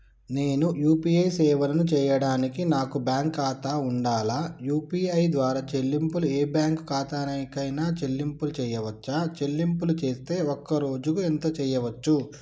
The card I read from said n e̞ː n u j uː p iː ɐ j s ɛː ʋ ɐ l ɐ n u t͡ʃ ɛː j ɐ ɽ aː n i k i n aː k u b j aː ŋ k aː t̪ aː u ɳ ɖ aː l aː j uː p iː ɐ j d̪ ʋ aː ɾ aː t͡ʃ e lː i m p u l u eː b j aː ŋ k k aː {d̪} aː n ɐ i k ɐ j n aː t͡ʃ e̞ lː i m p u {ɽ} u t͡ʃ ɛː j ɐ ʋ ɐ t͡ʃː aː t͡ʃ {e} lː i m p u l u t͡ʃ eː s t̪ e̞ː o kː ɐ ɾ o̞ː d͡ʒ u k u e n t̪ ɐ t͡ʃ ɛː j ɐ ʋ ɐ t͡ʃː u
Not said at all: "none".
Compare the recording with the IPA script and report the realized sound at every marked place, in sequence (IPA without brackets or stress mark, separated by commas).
t̪, l, e